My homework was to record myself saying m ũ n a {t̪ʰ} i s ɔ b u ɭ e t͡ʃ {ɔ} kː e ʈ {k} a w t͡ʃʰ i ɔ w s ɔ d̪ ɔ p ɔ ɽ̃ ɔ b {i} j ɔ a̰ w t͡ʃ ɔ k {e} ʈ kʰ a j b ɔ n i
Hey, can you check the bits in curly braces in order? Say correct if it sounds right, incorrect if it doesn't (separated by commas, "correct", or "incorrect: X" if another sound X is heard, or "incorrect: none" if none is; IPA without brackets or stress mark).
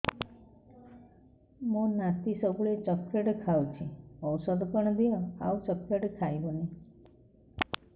incorrect: t̪, correct, incorrect: kʰ, correct, correct